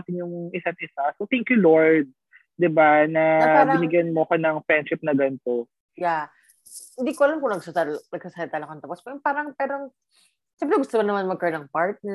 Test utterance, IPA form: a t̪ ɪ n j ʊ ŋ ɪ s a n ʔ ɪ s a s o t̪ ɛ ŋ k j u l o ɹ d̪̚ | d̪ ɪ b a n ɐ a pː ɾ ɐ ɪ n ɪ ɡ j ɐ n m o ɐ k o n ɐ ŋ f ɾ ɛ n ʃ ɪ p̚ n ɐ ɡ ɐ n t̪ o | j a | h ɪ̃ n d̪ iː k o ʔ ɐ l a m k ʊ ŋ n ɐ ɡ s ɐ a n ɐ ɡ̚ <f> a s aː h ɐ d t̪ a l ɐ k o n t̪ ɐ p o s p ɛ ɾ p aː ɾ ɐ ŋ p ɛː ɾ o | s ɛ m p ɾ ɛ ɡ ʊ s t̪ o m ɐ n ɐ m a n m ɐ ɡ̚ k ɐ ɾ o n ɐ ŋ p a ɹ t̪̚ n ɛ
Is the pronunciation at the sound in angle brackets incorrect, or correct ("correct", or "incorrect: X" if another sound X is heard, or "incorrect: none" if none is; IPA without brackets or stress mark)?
incorrect: s